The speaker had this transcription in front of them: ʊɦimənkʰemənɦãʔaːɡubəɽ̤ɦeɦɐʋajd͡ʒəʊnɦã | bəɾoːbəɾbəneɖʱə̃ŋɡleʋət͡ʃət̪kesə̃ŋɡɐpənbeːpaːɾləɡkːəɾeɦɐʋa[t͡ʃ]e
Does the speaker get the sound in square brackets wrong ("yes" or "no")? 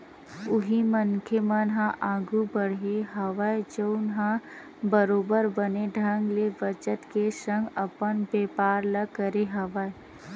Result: yes